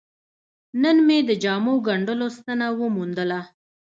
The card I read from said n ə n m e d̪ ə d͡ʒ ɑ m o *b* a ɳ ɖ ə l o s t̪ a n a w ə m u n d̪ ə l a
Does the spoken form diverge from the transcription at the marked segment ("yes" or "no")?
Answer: yes